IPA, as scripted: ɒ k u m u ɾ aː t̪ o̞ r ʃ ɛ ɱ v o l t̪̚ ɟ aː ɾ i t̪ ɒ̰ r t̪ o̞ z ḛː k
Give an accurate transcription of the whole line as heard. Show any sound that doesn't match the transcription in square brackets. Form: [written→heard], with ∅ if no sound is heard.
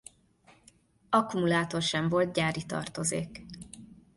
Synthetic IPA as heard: ɒ k u m u [ɾ→l] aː t̪ o̞ r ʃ ɛ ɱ v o l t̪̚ ɟ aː ɾ i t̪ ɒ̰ r t̪ o̞ z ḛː k